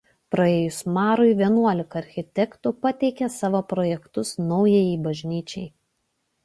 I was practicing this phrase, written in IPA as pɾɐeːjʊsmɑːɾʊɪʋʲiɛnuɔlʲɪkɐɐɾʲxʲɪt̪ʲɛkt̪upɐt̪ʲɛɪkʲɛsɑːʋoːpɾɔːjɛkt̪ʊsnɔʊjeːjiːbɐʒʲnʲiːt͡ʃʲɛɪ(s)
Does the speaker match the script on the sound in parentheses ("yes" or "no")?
no